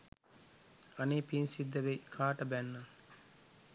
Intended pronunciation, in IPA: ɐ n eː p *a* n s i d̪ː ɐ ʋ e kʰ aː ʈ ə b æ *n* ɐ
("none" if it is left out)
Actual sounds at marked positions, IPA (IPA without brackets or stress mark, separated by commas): i, nː